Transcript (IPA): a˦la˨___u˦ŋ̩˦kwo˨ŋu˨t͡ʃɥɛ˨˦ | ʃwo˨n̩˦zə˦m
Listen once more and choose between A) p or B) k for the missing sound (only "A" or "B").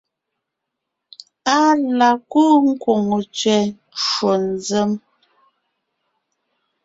B